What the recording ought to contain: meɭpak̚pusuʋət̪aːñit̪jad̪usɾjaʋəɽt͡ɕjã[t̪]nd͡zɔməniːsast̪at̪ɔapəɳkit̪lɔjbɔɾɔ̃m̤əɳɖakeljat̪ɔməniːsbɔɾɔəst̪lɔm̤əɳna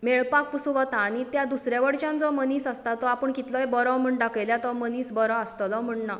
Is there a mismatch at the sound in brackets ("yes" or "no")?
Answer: yes